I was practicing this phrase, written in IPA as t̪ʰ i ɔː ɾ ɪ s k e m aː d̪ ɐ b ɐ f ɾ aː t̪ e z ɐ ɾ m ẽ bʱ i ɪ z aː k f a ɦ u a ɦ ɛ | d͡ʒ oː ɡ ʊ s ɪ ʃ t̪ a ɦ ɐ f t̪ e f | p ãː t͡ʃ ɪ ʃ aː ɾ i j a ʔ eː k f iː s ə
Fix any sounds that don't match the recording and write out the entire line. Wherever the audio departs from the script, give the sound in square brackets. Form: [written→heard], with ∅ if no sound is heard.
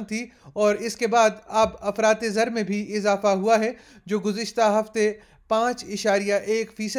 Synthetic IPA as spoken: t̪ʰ i ɔː ɾ ɪ s k e [m→b] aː d̪ ɐ b ɐ f ɾ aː t̪ e z ɐ ɾ m ẽ bʱ i ɪ z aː [k→∅] f a ɦ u a ɦ ɛ | d͡ʒ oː ɡ ʊ [s→z] ɪ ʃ t̪ a ɦ ɐ f t̪ e [f→∅] | p ãː t͡ʃ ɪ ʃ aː ɾ i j a ʔ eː k f iː s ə